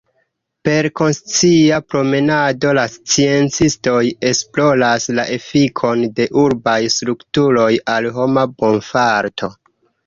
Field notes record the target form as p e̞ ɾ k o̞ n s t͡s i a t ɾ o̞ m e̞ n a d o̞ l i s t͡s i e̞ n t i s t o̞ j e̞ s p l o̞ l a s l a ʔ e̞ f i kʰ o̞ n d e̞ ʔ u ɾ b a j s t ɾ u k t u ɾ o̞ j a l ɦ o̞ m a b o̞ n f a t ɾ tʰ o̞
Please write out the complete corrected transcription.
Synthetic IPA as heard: p e̞ ɾ k o̞ n s t͡s i a p ɾ o̞ m e̞ n a d o̞ l a s t͡s i e̞ n t͡s i s t o̞ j e̞ s p l o̞ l a s l a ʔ e̞ f i kʰ o̞ n d e̞ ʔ u ɾ b a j s t ɾ u k t u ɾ o̞ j a l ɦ o̞ m a b o̞ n f a ɾ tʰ o̞

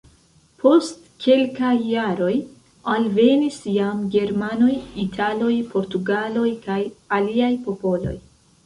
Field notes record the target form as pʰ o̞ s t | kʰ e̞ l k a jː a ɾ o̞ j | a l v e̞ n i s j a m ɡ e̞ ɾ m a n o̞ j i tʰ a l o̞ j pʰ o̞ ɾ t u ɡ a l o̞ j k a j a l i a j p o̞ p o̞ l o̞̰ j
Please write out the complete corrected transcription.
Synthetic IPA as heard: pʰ o̞ s t | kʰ e̞ l k a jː a ɾ o̞ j | a l v e̞ n i s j a m ɡ e̞ ɾ m a n o̞ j i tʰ a l o̞ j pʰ o̞ ɾ t u ɡ a l o̞ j k a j a l i a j p o̞ p o̞ l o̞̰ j

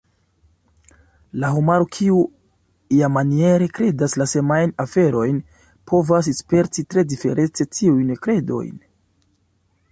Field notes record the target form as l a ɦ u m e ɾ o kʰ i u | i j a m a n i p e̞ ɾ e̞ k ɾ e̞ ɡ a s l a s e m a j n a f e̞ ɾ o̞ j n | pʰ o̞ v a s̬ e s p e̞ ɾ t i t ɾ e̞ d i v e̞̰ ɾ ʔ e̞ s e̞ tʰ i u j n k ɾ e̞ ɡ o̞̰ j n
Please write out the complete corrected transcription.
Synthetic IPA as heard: l a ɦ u m a ɾ o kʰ i u | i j a m a n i e̞ ɾ e̞ k ɾ e̞ d a s l a s e m a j n a f e̞ ɾ o̞ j n | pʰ o̞ v a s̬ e s p e̞ ɾ t i t ɾ e̞ d i f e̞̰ ɾ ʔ e̞ t͡s e̞ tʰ i u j n k ɾ e̞ d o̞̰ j n

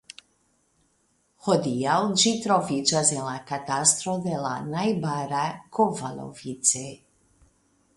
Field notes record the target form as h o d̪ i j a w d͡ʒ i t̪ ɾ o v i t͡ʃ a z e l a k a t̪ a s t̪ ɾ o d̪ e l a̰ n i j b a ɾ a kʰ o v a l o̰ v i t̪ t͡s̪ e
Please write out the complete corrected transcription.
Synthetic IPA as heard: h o d̪ i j a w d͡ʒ i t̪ ɾ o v i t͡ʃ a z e l a k a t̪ a s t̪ ɾ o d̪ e l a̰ n a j b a ɾ a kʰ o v a l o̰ v i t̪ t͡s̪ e

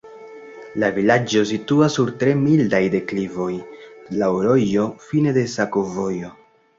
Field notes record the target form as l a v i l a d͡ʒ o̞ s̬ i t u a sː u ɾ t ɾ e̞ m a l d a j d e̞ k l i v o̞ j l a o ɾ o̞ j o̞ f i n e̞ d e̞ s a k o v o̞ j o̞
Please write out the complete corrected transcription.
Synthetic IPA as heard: l a v i l a d͡ʒ o̞ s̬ i t u a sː u ɾ t ɾ e̞ m i l d a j d e̞ k l i v o̞ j l a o ɾ o̞ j o̞ f i n e̞ d e̞ s a k o v o̞ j o̞

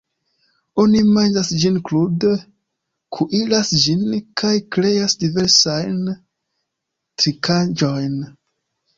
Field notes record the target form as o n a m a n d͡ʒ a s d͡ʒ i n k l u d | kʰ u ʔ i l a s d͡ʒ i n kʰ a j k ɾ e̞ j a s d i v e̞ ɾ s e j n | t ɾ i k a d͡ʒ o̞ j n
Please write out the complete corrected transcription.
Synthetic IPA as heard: o n i m a n d͡ʒ a s d͡ʒ i n k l u d | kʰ u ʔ i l a s d͡ʒ i n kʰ a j k ɾ e̞ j a s d i v e̞ ɾ s a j n | t ɾ i k a d͡ʒ o̞ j n

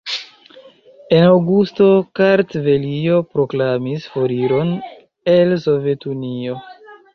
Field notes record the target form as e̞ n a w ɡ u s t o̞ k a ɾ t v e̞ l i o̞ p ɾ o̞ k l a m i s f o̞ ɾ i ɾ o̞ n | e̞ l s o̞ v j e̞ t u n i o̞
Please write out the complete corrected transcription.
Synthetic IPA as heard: e̞ n a w ɡ u s t o̞ k a ɾ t v e̞ l i o̞ p ɾ o̞ k l a m i s f o̞ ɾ i ɾ o̞ n | e̞ l s o̞ v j e̞ t u n i o̞

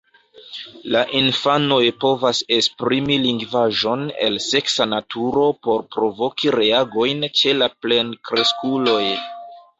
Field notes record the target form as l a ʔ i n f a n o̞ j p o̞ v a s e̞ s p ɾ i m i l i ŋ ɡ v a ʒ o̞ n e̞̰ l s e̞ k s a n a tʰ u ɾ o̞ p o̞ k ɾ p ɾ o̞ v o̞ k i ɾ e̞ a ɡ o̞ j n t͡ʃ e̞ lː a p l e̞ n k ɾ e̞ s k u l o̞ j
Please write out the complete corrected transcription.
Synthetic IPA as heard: l a ʔ i n f a n o̞ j p o̞ v a s e̞ s p ɾ i m i l i ŋ ɡ v a ʒ o̞ n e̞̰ l s e̞ k s a n a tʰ u ɾ o̞ p o̞ ɾ p ɾ o̞ v o̞ k i ɾ e̞ a ɡ o̞ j n t͡ʃ e̞ l a p l e̞ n k ɾ e̞ s k u l o̞ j

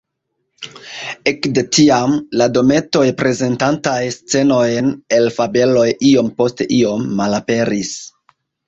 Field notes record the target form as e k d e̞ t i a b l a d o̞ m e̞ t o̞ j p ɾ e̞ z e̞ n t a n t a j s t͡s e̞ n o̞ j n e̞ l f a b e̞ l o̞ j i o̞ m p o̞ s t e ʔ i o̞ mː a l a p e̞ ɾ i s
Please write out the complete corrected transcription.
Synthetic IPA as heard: e k d e̞ t i a m l a d o̞ m e̞ t o̞ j p ɾ e̞ z e̞ n t a n t a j s t͡s e̞ n o̞ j n e̞ l f a b e̞ l o̞ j i o̞ m p o̞ s t e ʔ i o̞ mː a l a p e̞ ɾ i s

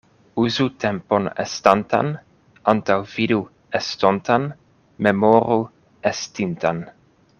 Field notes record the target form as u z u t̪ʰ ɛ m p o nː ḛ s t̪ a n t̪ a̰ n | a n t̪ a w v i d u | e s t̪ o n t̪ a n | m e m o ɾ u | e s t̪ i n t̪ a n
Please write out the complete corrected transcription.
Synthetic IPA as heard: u z u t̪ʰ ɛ m p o n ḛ s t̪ a n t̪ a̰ n | a n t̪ a w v i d u | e s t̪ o n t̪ a n | m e m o ɾ u | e s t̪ i n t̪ a n

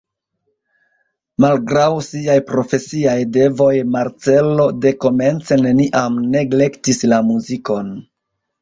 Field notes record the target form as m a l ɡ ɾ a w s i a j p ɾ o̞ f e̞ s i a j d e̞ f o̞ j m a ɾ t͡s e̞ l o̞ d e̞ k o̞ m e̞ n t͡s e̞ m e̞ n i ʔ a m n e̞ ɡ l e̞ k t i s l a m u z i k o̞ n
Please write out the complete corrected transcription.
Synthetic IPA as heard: m a l ɡ ɾ a w s i a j p ɾ o̞ f e̞ s i a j d e̞ v o̞ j m a ɾ t͡s e̞ l o̞ d e̞ k o̞ m e̞ n t͡s e̞ n e̞ n i ʔ a m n e̞ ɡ l e̞ k t i s l a m u z i k o̞ n

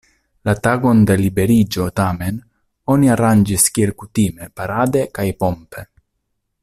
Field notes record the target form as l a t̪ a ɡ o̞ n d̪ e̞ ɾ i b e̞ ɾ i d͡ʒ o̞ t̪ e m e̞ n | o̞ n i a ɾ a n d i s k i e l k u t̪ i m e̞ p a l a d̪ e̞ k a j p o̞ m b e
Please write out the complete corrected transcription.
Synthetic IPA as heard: l a t̪ a ɡ o̞ n d̪ e̞ l i b e̞ ɾ i d͡ʒ o̞ t̪ a m e̞ n | o̞ n i a ɾ a n d͡ʒ i s k i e l k u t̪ i m e̞ p a ɾ a d̪ e̞ k a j p o̞ m p e

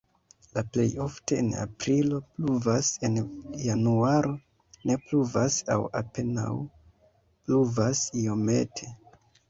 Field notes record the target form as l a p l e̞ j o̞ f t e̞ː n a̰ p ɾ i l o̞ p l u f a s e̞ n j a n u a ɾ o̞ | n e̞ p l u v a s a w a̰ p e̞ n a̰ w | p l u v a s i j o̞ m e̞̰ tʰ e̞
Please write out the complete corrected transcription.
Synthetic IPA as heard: l a p l e̞ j o̞ f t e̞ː n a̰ p ɾ i l o̞ p l u v a s e̞ n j a n u a ɾ o̞ | n e̞ p l u v a s a w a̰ p e̞ n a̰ w | p l u v a s i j o̞ m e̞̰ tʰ e̞

